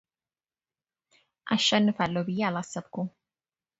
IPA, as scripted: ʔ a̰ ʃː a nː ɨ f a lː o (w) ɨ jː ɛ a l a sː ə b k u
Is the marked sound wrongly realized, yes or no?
yes